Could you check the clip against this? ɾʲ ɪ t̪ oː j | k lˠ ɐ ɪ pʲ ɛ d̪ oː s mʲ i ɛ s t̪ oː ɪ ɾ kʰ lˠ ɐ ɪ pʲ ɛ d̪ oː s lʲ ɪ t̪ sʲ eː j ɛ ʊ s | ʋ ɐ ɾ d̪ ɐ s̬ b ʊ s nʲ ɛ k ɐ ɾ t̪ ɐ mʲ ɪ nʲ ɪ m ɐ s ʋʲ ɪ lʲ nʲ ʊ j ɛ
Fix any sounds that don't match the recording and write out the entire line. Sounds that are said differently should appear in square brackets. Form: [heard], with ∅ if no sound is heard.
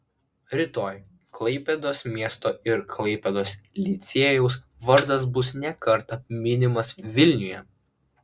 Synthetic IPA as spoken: ɾʲ ɪ t̪ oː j | k lˠ ɐ ɪ pʲ ɛ d̪ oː s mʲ i ɛ s t̪ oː ɪ ɾ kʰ lˠ ɐ ɪ pʲ ɛ d̪ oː s lʲ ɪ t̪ sʲ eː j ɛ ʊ s | ʋ ɐ ɾ d̪ ɐ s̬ b ʊ s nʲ ɛ k ɐ ɾ t̪ ɐ mʲ ɪ nʲ ɪ m ɐ s ʋʲ ɪ lʲ nʲ ʊ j ɛ